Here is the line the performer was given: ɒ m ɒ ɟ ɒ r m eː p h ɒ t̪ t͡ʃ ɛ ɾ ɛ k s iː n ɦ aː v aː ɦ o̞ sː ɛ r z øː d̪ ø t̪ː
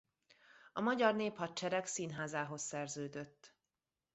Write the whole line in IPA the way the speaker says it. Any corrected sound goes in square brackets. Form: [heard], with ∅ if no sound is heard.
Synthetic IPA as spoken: ɒ m ɒ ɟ ɒ r [n] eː p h ɒ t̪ t͡ʃ ɛ ɾ ɛ k s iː n ɦ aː [z] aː ɦ o̞ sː ɛ r z øː d̪ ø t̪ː